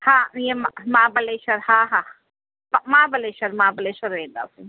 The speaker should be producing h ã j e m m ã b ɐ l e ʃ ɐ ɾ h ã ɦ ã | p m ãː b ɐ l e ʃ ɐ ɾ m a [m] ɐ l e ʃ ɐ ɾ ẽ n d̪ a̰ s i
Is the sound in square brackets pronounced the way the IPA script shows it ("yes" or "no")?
no